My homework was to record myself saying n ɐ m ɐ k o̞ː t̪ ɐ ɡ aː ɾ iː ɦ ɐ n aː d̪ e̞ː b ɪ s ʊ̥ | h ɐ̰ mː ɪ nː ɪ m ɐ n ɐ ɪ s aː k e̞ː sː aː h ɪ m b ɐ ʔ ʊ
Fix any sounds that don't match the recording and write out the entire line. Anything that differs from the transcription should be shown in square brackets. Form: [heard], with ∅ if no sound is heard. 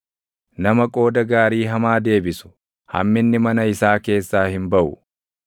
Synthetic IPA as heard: n ɐ m ɐ [kʼ] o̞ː [d̪] ɐ ɡ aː ɾ iː ɦ ɐ [m] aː d̪ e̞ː b ɪ s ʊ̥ | h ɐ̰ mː ɪ nː ɪ m ɐ n ɐ ɪ s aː k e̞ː sː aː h ɪ m b ɐ ʔ ʊ

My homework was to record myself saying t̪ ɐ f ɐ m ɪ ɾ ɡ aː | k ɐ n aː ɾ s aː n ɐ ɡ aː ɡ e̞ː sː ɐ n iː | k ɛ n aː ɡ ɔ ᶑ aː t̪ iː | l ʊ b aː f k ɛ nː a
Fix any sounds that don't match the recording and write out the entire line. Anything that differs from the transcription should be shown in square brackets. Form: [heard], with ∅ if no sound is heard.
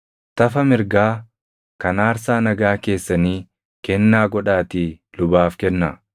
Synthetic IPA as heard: t̪ ɐ f ɐ m ɪ ɾ ɡ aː | k ɐ n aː ɾ s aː n ɐ ɡ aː [k] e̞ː sː ɐ n iː | k ɛ [nː] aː ɡ ɔ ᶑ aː t̪ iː | l ʊ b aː f k ɛ nː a

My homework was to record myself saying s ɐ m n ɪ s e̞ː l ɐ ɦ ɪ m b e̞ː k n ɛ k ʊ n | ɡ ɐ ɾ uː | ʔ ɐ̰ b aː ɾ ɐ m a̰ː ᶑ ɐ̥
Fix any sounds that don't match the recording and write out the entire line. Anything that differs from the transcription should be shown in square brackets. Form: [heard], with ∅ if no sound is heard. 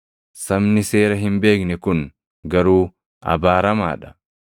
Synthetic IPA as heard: s ɐ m n ɪ s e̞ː [ɾ] ɐ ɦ ɪ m b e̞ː k n ɛ k ʊ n | ɡ ɐ ɾ uː | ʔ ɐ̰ b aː ɾ ɐ m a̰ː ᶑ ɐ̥

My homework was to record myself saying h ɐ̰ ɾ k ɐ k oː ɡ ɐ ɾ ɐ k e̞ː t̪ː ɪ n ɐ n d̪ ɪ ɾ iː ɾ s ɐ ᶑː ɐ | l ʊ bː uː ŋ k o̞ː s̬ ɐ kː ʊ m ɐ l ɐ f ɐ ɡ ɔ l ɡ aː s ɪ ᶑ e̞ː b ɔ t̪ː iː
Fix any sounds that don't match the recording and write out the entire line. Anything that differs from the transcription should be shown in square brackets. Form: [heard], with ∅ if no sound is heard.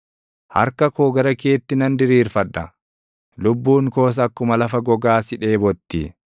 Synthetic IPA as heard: h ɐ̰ ɾ k ɐ k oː ɡ ɐ ɾ ɐ k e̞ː t̪ː ɪ n ɐ n d̪ ɪ ɾ iː ɾ [f] ɐ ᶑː ɐ | l ʊ bː uː ŋ k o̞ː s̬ ɐ kː ʊ m ɐ l ɐ f ɐ ɡ ɔ [∅] ɡ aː s ɪ ᶑ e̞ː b ɔ t̪ː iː

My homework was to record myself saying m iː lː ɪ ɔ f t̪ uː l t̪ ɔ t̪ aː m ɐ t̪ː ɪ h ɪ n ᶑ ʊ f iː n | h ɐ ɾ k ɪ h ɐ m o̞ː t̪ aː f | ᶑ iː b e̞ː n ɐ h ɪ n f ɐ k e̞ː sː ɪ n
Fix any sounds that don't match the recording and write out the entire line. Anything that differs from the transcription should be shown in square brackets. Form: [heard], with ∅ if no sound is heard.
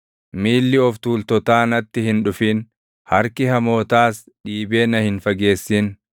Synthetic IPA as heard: m iː lː ɪ ɔ f t̪ uː l t̪ ɔ t̪ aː [n] ɐ t̪ː ɪ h ɪ n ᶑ ʊ f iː n | h ɐ ɾ k ɪ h ɐ m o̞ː t̪ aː [s] | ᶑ iː b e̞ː n ɐ h ɪ n f ɐ [ɡ] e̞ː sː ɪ n

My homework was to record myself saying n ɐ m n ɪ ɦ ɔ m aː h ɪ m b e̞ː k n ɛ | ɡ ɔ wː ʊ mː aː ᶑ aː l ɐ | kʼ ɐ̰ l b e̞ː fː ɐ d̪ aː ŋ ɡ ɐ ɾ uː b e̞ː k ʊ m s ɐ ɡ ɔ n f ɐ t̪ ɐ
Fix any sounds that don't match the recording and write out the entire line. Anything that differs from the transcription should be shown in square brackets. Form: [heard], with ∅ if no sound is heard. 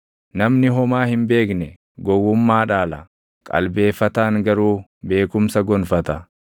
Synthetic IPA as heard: n ɐ m n ɪ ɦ ɔ m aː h ɪ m b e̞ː k n ɛ | ɡ ɔ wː ʊ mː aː ᶑ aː l ɐ | kʼ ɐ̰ l b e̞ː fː ɐ [t̪] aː ŋ ɡ ɐ ɾ uː b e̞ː k ʊ m s ɐ ɡ ɔ n f ɐ t̪ ɐ

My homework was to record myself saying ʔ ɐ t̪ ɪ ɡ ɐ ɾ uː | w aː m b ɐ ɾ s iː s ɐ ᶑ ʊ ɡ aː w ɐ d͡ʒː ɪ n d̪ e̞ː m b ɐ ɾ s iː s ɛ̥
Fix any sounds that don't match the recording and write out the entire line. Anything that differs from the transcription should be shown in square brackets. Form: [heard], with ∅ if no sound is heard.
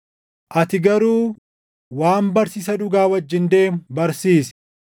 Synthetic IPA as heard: ʔ ɐ t̪ ɪ ɡ ɐ ɾ uː | w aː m b ɐ ɾ s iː s ɐ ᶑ ʊ ɡ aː w ɐ d͡ʒː ɪ n d̪ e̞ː m b ɐ ɾ s iː s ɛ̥

